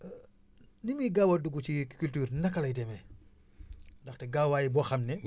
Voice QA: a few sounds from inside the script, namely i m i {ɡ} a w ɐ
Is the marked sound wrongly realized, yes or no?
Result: no